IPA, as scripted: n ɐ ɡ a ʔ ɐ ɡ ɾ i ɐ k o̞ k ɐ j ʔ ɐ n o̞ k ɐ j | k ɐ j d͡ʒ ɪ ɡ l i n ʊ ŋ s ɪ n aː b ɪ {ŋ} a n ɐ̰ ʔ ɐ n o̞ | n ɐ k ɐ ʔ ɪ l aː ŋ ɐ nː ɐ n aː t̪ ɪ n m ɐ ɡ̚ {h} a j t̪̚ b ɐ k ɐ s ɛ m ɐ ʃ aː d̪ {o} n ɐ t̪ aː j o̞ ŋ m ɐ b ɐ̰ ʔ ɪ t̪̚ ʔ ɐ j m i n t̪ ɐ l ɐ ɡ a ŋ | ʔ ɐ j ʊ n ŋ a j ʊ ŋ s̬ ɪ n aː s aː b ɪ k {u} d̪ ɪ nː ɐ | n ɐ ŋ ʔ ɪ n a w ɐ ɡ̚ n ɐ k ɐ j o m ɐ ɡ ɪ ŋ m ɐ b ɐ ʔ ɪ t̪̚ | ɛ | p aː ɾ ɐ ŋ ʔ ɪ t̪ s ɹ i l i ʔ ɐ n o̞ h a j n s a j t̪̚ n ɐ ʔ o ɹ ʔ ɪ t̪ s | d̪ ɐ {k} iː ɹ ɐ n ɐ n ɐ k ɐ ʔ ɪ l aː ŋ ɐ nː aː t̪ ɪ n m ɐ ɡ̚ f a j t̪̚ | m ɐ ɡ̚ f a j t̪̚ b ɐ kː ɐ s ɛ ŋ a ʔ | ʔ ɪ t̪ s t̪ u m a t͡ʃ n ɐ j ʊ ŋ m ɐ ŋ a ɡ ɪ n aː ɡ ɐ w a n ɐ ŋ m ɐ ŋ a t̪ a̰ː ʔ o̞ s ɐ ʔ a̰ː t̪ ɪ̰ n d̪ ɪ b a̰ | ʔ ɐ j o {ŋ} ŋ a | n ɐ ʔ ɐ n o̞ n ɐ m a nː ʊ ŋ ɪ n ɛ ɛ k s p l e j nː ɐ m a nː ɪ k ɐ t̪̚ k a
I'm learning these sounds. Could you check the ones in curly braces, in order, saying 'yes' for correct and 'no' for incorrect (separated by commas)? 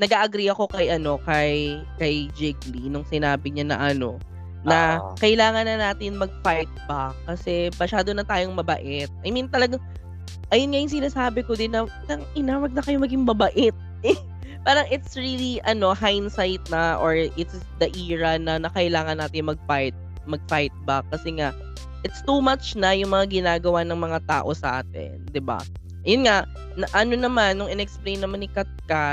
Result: no, no, yes, no, no, no